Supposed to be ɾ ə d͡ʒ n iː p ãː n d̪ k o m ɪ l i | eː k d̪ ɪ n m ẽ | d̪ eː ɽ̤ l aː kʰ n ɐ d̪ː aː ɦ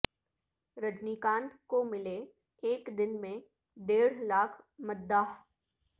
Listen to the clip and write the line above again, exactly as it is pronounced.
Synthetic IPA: ɾ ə d͡ʒ n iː k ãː n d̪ k o m ɪ l e | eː k d̪ ɪ n m ẽ | d̪ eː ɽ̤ l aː kʰ m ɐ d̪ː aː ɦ